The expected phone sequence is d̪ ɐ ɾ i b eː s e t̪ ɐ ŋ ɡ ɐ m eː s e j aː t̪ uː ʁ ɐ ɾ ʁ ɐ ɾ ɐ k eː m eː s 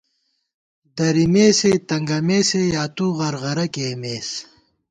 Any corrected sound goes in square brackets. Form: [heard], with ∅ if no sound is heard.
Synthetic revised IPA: d̪ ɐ ɾ i [m] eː s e t̪ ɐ ŋ ɡ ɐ m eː s e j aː t̪ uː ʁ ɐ ɾ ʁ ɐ ɾ ɐ k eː m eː s

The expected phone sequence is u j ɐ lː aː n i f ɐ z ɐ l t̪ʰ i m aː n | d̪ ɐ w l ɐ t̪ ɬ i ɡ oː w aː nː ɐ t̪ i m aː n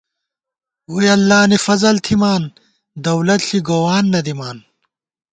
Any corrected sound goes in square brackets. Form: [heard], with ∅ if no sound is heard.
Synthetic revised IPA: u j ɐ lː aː n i f ɐ z ɐ l t̪ʰ i m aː n | d̪ ɐ w l ɐ t̪ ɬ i ɡ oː w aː nː ɐ [d̪] i m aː n

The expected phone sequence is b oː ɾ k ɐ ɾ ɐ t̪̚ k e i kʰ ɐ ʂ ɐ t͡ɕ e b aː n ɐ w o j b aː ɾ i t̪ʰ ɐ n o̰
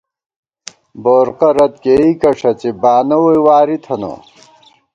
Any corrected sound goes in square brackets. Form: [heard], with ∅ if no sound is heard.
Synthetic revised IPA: b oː ɾ [q] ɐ ɾ ɐ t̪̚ k e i [k] ɐ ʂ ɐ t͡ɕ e b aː n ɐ w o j [w] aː ɾ i t̪ʰ ɐ n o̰

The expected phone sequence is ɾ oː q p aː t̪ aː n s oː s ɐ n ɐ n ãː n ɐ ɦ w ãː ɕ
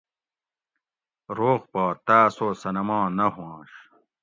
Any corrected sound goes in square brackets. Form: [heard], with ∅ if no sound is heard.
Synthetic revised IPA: ɾ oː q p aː t̪ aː [∅] s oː s ɐ n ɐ [m] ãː n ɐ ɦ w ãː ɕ

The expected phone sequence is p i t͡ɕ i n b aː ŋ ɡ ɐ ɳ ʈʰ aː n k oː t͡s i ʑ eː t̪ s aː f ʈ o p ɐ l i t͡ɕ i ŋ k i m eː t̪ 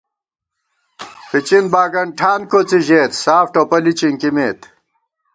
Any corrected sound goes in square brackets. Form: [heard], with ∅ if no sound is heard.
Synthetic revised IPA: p i t͡ɕ i n b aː [∅] ɡ ɐ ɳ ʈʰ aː n k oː t͡s i ʑ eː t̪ s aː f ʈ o p ɐ l i t͡ɕ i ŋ k i m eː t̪

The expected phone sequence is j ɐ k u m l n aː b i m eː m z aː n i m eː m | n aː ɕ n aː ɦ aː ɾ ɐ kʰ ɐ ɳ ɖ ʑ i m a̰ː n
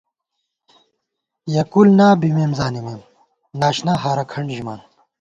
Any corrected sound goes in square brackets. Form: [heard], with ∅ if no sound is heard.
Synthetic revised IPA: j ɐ k u [∅] l n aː b i m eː m z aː n i m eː m | n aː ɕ n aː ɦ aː ɾ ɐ kʰ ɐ ɳ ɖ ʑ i m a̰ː n

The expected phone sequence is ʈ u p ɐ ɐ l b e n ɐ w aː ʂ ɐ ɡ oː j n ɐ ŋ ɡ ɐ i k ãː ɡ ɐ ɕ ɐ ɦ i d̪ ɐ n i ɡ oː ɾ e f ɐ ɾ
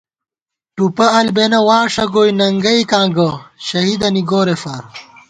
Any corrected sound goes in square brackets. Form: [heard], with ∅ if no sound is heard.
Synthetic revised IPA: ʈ u p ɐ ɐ l b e n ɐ w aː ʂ ɐ ɡ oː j n ɐ ŋ ɡ ɐ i k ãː ɡ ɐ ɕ ɐ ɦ i d̪ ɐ n i ɡ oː ɾ e f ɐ ɾ

